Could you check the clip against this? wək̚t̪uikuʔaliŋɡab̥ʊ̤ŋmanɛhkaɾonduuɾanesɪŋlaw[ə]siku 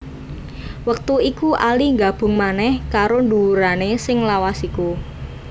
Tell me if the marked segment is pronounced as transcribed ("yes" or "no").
no